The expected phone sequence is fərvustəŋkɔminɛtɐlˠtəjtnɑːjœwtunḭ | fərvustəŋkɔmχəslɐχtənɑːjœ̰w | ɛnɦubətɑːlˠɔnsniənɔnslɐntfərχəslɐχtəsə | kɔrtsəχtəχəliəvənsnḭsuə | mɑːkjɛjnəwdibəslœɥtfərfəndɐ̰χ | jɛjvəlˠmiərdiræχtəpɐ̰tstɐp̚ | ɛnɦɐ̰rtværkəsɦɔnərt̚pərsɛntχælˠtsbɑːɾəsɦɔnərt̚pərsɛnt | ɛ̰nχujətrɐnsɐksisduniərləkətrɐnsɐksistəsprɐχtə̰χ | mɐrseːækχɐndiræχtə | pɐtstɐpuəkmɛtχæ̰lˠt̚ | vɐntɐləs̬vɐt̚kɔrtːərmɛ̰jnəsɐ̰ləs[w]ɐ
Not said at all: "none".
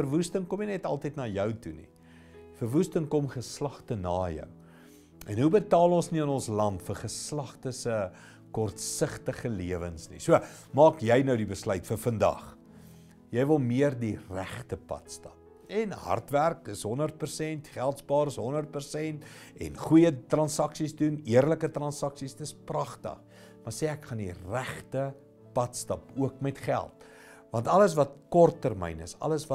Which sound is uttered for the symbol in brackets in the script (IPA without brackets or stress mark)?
v